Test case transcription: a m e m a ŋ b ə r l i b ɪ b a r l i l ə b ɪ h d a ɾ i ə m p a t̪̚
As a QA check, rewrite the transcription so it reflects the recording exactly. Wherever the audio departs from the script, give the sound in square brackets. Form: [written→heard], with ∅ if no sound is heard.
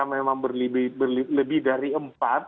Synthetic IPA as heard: a m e m a ŋ b ə r l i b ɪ b [a→ə] r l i l ə b ɪ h d a ɾ i ə m p a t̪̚